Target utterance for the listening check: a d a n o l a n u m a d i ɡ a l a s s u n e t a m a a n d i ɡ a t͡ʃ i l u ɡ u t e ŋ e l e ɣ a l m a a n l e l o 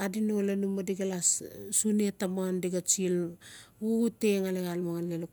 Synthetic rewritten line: a d i n o l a n u m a d i ɡ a l a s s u n e t a m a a n d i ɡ a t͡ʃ i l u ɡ u t e ŋ a l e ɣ a l m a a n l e l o